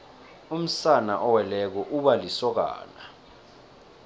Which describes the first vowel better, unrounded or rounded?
rounded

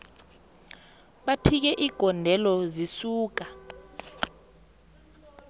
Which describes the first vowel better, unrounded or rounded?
unrounded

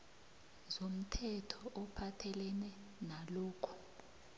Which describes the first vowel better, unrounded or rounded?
rounded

